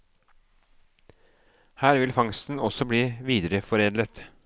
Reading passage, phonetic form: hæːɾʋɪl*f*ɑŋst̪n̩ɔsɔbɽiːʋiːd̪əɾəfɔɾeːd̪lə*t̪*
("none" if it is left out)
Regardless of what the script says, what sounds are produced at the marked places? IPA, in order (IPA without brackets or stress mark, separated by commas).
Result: f, t̪